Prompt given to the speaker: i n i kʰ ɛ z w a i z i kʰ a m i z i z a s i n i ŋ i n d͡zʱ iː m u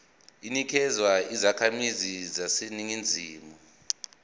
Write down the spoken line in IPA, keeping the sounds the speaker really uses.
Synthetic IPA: i n i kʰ ɛ z w a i z a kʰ a m i z i z a s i n i ŋ i n d͡zʱ iː m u